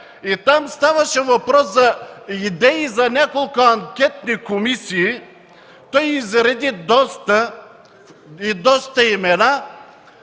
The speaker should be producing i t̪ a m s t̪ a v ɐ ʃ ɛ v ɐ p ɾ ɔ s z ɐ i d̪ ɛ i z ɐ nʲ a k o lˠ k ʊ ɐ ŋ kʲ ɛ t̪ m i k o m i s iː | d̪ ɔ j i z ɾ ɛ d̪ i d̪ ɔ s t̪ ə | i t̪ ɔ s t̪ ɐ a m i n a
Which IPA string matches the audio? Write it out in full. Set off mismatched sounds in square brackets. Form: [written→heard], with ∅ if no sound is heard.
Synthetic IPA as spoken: i t̪ a m s t̪ a v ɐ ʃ ɛ v ɐ p ɾ ɔ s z ɐ i d̪ ɛ i z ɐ nʲ a k o lˠ k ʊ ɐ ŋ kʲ ɛ t̪ [m→n] i k o m i s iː | [d̪→t̪] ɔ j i z ɾ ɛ d̪ i d̪ ɔ s t̪ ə | i [t̪→d̪] ɔ s t̪ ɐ [a→i] m [i→ɛ] n a